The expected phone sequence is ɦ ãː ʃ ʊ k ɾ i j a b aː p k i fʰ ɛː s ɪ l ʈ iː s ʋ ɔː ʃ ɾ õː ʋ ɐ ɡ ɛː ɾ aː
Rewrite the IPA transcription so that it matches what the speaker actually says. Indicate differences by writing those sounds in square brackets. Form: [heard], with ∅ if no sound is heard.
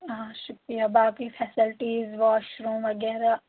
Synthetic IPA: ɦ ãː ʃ ʊ k ɾ i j a b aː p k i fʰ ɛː s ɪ l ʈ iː [z] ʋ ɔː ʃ ɾ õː ʋ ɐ ɡ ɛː ɾ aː